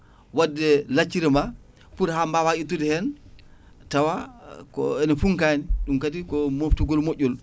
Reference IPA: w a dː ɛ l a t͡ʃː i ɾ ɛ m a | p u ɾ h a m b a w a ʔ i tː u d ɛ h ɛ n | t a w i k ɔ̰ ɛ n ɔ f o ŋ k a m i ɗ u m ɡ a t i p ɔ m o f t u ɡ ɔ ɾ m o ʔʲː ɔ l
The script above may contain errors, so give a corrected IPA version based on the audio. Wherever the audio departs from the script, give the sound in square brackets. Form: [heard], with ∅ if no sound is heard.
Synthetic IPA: w a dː ɛ l a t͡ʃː i ɾ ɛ m a | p u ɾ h a m b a w a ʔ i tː u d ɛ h ɛ n | t a w [a] k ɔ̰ ɛ n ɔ f [u] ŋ k a [n] i ɗ u m [k] a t i [k] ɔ m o f t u ɡ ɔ [l] m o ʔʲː ɔ l

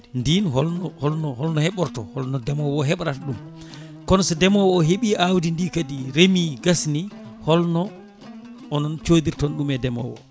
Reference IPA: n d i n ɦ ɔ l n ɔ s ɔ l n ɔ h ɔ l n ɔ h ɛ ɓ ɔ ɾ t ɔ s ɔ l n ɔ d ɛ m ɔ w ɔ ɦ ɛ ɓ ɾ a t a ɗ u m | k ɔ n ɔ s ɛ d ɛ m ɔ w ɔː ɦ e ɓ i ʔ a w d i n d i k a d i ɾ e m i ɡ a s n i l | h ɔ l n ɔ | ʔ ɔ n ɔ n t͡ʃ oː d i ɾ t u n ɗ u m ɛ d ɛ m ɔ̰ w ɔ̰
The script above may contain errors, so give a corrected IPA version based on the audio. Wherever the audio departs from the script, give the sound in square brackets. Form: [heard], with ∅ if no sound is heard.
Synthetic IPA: n d i n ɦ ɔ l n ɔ [h] ɔ l n ɔ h ɔ l n ɔ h ɛ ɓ ɔ ɾ t ɔ [h] ɔ l n ɔ d ɛ m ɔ w ɔ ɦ ɛ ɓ ɾ a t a ɗ u m | k ɔ n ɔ s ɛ d ɛ m ɔ w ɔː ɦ e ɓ i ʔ a w d i n d i k a d i ɾ e m i ɡ a s n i [∅] | h ɔ l n ɔ | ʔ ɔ n ɔ n t͡ʃ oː d i ɾ t [ɔ] n ɗ u m ɛ d ɛ m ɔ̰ w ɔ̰

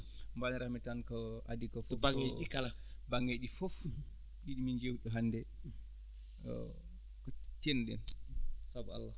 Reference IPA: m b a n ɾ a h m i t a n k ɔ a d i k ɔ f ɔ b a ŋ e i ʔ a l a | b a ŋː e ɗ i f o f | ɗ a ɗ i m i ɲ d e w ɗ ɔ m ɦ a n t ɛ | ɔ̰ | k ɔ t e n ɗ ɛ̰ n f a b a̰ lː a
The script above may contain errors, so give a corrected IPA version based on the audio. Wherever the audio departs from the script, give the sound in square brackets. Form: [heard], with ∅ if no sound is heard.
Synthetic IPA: m b a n ɾ a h m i t a n k ɔ a d i k ɔ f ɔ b a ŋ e i [k] a l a | b a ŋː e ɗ i f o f | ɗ [i] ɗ i m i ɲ [d͡ʒ] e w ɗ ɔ [∅] ɦ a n [d] ɛ | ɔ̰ | k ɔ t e n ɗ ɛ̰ n [s] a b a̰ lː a

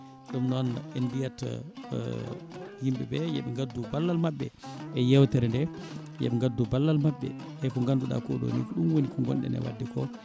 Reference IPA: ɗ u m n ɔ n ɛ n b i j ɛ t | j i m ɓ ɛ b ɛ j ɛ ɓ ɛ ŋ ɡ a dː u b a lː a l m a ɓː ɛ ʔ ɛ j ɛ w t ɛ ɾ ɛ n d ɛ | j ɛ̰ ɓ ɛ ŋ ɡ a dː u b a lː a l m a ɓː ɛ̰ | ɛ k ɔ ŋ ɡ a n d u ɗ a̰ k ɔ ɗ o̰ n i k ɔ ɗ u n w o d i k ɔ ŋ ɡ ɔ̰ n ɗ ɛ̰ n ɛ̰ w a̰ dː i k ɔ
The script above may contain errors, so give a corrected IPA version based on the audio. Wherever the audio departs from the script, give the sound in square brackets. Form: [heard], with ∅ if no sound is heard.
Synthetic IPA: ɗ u m n ɔ n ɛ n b i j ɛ t | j i m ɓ ɛ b ɛ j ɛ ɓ ɛ ŋ ɡ a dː u b a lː a l m a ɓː ɛ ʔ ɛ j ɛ w t ɛ ɾ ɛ n d ɛ | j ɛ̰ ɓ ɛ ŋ ɡ a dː u b a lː a l m a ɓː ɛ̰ | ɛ k ɔ ŋ ɡ a n d u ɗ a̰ k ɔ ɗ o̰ n i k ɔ ɗ u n w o [n] i k ɔ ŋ ɡ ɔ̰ n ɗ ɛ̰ n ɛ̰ w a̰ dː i k ɔ

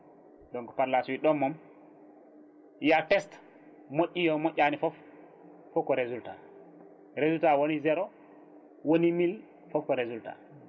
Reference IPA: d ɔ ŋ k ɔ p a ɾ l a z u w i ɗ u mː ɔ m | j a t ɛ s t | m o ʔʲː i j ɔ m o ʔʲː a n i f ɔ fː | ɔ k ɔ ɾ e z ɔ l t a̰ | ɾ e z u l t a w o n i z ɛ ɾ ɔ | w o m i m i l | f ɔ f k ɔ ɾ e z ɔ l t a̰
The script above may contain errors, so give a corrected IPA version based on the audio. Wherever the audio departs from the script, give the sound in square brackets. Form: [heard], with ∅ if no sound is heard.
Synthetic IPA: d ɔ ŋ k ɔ p a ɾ l a [s] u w i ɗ [ɔ] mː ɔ m | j a t ɛ s t | m o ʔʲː i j ɔ m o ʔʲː a n i f ɔ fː | ɔ k ɔ ɾ e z [u] l t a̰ | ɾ e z u l t a w o n i z ɛ ɾ ɔ | w o [n] i m i l | f ɔ f k ɔ ɾ e z [u] l t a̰

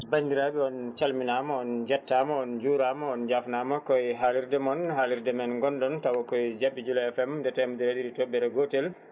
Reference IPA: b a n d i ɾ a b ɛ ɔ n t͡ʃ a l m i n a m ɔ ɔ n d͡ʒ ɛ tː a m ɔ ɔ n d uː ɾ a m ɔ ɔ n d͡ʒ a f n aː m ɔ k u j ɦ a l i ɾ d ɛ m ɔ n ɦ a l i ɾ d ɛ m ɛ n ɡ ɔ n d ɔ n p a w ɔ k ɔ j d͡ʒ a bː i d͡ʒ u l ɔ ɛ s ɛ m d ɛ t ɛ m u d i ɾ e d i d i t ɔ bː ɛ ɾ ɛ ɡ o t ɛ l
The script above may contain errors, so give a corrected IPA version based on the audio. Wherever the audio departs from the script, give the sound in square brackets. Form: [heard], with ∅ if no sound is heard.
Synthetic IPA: b a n d i ɾ a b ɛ ɔ n t͡ʃ a l m i n a m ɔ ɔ n d͡ʒ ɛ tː a m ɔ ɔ n [d͡ʒ] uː ɾ a m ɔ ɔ n d͡ʒ a f n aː m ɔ k [ɔ] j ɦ a l i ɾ d ɛ m ɔ n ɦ a l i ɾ d ɛ m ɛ n ɡ ɔ n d ɔ n [t] a w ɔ k ɔ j d͡ʒ a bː i d͡ʒ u l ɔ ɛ [f] ɛ m d ɛ t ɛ m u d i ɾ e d i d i t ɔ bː ɛ ɾ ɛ ɡ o t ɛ l

